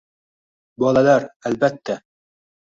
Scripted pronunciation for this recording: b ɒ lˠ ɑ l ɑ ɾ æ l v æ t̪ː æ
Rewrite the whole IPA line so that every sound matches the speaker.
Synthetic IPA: b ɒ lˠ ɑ l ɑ ɾ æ l b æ t̪ː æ